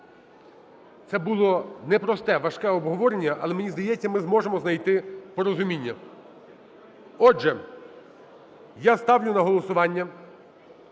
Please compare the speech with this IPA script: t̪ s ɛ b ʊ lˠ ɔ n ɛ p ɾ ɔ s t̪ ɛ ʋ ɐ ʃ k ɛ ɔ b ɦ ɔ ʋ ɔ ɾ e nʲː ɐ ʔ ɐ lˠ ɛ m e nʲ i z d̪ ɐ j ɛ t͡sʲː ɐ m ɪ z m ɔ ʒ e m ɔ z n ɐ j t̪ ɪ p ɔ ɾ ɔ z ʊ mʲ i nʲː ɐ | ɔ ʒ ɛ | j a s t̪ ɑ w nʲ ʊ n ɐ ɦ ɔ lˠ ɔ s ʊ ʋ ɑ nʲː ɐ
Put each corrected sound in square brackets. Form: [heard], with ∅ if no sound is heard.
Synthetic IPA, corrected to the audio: t̪ s ɛ b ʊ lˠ ɔ n ɛ p ɾ ɔ s t̪ ɛ ʋ ɐ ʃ k ɛ ɔ b ɦ ɔ ʋ ɔ ɾ e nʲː ɐ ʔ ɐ lˠ ɛ m e nʲ i z d̪ ɐ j ɛ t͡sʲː ɐ m ɪ z m ɔ ʒ e m ɔ z n ɐ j t̪ ɪ p ɔ ɾ ɔ z ʊ mʲ i nʲː ɐ | ɔ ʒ ɛ | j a s t̪ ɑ w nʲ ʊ n ɐ ɦ ɔ lˠ ɔ s ʊ ʋ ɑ nʲː ɐ